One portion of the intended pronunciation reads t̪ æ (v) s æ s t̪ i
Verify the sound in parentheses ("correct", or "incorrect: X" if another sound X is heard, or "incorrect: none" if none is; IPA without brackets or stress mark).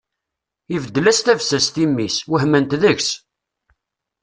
correct